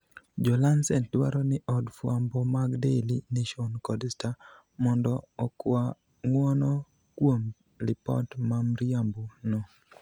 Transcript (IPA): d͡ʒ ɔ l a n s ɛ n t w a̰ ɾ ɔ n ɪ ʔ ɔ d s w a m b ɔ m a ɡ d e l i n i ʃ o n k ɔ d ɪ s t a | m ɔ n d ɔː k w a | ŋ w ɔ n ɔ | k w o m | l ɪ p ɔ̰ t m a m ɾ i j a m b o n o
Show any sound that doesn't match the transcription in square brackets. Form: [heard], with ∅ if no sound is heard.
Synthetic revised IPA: d͡ʒ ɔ l a n s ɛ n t w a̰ ɾ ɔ n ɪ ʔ ɔ d [f] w a m b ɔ m a ɡ d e l i n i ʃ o n k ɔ d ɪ s t a | m ɔ n d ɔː k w a | ŋ w ɔ n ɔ | k w o m | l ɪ p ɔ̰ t m a m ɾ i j a m b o n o